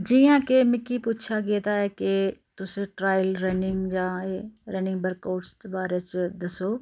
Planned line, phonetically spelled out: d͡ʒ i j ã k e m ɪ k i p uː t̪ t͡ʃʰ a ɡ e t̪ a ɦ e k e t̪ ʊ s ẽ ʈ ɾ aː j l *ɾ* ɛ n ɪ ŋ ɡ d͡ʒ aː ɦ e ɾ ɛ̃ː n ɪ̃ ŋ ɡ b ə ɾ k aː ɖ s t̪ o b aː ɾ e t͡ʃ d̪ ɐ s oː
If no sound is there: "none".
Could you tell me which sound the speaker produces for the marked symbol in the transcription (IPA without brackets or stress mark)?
ɾ